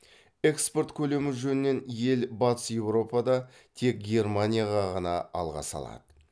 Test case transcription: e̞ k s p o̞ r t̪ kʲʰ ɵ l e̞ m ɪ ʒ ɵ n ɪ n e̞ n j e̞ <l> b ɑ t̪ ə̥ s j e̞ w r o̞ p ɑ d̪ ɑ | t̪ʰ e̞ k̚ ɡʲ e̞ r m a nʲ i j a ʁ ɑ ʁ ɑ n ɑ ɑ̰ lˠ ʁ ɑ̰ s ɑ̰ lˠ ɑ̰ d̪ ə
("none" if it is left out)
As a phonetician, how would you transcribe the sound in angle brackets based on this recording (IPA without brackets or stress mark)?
l